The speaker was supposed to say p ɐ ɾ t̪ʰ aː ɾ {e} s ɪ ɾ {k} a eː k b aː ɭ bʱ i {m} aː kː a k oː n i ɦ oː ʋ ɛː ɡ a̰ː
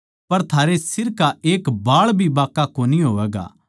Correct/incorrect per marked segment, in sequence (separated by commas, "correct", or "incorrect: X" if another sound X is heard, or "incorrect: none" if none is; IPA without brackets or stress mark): correct, correct, incorrect: b